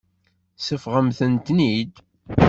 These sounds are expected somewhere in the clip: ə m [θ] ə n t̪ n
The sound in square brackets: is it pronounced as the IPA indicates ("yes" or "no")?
yes